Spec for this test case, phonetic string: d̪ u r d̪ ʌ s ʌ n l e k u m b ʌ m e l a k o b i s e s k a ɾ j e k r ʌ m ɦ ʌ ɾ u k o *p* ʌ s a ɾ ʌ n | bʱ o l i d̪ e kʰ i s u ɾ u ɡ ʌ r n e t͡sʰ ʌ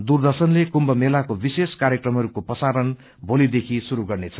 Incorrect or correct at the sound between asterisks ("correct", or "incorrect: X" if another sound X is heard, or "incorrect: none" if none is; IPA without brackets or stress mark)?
correct